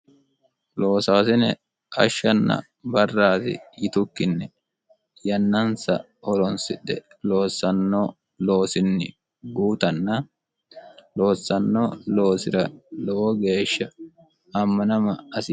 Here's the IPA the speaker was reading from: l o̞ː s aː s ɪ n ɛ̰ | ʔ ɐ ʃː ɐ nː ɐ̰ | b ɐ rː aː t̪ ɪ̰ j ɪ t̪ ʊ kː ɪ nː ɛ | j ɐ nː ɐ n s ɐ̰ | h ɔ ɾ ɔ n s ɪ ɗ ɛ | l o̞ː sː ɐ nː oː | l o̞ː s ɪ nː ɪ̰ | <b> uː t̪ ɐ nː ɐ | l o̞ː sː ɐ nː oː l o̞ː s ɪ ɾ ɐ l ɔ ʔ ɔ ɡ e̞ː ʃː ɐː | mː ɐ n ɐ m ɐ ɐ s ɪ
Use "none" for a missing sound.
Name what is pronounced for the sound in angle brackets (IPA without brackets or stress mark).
ɡ